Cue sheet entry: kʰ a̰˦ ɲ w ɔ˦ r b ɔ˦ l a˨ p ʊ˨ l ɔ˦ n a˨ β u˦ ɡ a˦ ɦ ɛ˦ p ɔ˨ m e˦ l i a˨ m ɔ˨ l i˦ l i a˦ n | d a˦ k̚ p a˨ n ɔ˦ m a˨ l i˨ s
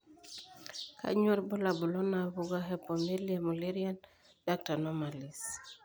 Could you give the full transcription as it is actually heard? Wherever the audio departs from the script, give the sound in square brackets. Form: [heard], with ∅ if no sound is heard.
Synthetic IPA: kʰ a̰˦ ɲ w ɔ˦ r b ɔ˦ l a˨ [b] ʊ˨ l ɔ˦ n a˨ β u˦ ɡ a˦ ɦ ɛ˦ p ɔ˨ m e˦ l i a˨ m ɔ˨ l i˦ [ɾ] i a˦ n | d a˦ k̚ [t] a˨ n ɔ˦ m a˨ l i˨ s